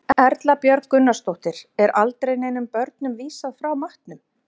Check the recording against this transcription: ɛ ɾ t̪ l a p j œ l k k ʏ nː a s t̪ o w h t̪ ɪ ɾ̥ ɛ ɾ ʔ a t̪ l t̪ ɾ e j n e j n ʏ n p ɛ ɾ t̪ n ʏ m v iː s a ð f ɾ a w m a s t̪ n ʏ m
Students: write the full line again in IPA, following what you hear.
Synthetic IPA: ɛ ɾ t̪ l a p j œ ɾ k k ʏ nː a s t̪ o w h t̪ ɪ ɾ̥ ɛ ɾ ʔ a l t̪ ɾ e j n e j n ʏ m p œ ɾ t̪ n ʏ m v iː s a ð f ɾ a w m a h t̪ n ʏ m